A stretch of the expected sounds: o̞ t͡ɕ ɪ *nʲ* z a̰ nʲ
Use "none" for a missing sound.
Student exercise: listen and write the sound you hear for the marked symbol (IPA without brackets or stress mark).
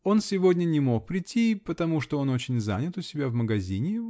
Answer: nʲ